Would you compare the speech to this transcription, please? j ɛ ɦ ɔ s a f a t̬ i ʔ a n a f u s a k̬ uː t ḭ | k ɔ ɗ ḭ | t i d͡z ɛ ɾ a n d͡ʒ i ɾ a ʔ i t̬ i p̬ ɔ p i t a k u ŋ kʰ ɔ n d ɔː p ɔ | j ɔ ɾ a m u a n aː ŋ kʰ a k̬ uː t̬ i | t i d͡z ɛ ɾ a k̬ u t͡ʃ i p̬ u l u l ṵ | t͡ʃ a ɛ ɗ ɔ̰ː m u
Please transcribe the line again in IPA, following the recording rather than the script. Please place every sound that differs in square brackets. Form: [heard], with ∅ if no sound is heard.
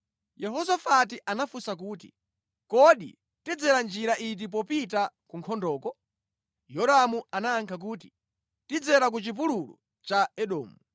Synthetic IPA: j ɛ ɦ ɔ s a f a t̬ i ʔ a n a f u s a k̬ uː t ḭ | k ɔ ɗ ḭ | t i d͡z ɛ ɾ a n d͡ʒ i ɾ a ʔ i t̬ i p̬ ɔ p i t a k u ŋ kʰ ɔ n d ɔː [k] ɔ | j ɔ ɾ a m u a n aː ŋ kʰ a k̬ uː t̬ i | t i d͡z ɛ ɾ a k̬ u t͡ʃ i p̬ u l u l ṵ | t͡ʃ a ɛ ɗ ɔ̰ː m u